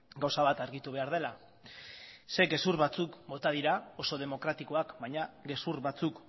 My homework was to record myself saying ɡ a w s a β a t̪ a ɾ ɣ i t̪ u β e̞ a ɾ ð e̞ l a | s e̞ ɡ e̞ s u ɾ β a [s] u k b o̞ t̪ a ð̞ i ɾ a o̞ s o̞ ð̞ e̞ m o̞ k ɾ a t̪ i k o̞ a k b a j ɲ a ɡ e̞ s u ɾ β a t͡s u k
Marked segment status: incorrect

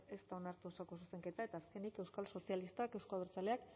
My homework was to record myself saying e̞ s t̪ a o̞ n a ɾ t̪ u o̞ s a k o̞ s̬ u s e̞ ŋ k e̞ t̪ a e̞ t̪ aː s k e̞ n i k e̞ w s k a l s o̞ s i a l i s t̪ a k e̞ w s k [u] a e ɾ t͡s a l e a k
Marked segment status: incorrect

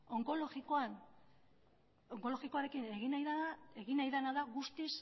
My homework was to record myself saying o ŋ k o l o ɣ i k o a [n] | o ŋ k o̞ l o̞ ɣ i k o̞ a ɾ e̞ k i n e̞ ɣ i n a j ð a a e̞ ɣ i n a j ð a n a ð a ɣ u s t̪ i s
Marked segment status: correct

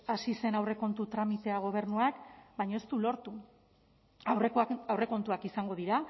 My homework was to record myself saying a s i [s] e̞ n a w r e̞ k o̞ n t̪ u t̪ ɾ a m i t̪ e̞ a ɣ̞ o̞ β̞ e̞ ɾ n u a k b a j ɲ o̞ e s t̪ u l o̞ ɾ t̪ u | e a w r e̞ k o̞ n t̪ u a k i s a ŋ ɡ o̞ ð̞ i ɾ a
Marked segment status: correct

